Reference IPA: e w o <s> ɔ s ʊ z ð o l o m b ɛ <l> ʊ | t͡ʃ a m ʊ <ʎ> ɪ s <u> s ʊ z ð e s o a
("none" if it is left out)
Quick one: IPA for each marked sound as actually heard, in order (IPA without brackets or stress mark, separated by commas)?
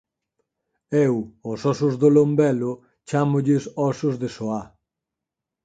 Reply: s, l, ʎ, ɔ